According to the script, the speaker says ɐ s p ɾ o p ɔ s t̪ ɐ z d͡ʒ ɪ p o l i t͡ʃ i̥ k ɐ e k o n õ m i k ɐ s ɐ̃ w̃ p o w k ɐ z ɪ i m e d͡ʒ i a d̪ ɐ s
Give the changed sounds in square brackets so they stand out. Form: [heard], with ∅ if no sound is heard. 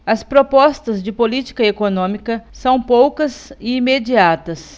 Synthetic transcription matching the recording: ɐ s p ɾ o p ɔ s t̪ ɐ z d͡ʒ ɪ p o l i t͡ʃ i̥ k ɐ e k o n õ m i k ɐ s ɐ̃ w̃ p o w k ɐ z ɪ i m e d͡ʒ i a [t̪] ɐ s